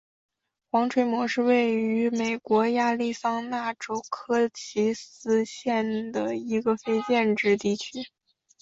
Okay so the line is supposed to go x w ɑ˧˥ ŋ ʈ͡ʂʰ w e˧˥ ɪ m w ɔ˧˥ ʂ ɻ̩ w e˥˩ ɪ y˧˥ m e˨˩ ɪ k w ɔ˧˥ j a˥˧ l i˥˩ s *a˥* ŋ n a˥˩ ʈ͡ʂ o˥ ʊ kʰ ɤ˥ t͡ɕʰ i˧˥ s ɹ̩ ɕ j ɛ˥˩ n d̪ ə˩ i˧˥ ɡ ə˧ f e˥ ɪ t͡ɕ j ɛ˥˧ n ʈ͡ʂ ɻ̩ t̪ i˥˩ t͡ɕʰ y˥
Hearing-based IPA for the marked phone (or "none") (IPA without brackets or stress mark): ɑ˥